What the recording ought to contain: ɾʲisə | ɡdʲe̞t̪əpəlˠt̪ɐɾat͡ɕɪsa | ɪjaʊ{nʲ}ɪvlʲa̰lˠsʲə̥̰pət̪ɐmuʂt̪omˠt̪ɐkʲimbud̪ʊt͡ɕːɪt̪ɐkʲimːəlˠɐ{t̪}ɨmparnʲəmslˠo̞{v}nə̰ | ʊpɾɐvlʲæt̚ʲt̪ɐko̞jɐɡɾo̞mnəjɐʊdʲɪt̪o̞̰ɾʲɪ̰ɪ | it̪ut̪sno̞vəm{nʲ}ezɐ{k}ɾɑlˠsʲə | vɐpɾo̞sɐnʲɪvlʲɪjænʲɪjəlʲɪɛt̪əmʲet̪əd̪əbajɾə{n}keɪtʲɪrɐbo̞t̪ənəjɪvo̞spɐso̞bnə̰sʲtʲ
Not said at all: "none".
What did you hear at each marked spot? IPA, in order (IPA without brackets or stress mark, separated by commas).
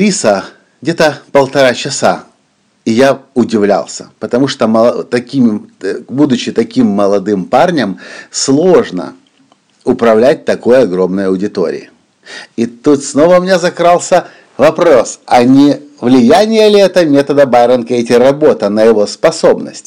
dʲ, d̪, ʐ, nʲ, k, n